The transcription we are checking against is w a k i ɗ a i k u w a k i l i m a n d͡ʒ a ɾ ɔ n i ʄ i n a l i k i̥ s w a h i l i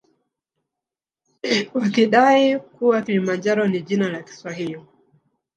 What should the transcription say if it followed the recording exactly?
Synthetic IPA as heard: w a k i ɗ a i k u w a k i l i m a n d͡ʒ a ɾ ɔ n i ʄ i n a l a k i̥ s w a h i l i